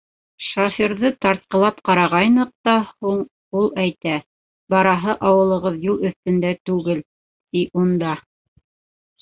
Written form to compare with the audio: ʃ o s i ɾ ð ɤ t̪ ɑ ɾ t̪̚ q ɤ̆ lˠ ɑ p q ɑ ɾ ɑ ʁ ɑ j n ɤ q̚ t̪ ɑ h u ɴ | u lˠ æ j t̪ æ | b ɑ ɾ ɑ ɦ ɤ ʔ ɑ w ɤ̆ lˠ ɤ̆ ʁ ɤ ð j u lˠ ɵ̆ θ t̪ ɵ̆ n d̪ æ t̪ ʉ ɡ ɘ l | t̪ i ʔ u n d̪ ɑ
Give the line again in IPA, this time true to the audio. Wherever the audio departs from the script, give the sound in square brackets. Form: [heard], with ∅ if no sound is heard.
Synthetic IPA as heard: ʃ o [f] i ɾ ð ɤ t̪ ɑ ɾ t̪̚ q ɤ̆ lˠ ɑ p q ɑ ɾ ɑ ʁ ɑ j n ɤ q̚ t̪ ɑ h u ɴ | u lˠ æ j t̪ æ | b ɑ ɾ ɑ ɦ ɤ ʔ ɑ w ɤ̆ lˠ ɤ̆ ʁ ɤ ð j u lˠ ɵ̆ θ t̪ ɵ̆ n d̪ æ t̪ ʉ ɡ ɘ l | t̪ i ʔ u n d̪ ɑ